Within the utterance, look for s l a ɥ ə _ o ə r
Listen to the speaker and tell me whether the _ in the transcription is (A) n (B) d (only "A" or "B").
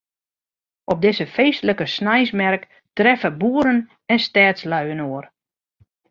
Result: A